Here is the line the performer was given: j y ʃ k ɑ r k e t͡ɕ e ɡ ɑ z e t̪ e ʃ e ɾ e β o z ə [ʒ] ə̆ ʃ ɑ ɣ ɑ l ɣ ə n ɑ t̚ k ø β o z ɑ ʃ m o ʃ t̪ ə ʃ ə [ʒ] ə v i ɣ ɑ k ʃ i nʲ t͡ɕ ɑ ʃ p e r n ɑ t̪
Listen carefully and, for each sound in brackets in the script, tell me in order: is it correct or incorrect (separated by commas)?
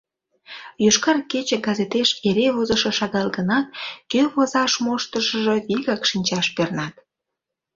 incorrect, correct